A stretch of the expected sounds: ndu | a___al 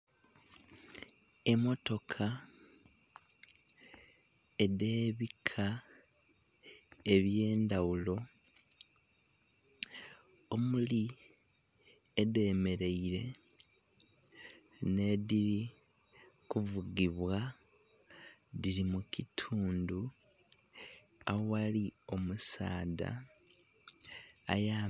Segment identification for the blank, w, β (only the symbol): w